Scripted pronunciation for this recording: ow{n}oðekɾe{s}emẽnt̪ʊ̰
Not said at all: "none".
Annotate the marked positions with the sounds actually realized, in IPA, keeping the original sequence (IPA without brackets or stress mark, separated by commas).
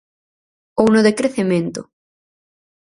n, θ